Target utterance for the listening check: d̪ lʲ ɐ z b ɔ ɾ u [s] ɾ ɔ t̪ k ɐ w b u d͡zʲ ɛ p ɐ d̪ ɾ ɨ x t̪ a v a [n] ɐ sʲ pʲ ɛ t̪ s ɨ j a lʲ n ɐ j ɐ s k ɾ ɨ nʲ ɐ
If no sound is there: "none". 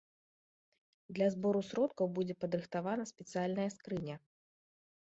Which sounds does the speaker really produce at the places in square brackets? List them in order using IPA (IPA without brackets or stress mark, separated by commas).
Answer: s, n